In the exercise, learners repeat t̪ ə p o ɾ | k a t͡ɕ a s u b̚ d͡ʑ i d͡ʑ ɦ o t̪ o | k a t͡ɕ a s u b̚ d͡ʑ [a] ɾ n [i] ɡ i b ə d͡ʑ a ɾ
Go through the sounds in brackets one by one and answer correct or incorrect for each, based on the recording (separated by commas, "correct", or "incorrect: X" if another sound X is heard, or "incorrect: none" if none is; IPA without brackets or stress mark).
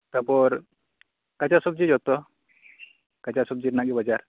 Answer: incorrect: i, incorrect: a